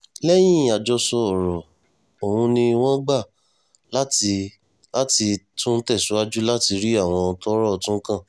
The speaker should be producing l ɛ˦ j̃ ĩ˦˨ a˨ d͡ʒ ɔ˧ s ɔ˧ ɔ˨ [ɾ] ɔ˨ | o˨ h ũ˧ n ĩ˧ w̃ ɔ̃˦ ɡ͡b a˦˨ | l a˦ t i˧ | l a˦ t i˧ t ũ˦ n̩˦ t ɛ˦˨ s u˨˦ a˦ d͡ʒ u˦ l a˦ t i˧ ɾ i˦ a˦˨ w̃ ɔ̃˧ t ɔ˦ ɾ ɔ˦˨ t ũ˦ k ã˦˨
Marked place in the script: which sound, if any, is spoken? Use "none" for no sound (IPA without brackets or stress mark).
ɾ